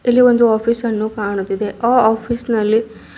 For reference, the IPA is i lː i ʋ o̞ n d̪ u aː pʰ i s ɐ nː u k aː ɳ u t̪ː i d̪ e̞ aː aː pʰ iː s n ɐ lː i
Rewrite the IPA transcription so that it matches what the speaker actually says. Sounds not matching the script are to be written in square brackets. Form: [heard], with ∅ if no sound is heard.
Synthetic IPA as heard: i lː i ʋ o̞ n d̪ u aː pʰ i s ɐ nː u k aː ɳ u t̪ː i d̪ e̞ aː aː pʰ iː s n ɐ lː i